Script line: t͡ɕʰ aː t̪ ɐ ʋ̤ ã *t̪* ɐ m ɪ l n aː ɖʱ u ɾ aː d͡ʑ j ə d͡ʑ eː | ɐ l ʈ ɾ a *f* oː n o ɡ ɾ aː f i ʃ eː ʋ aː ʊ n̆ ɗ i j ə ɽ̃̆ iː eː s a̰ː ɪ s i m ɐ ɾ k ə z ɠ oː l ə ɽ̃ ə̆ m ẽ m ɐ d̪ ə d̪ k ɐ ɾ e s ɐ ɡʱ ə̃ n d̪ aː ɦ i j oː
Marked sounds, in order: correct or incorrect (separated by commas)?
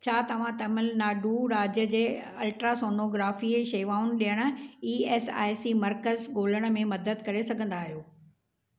correct, incorrect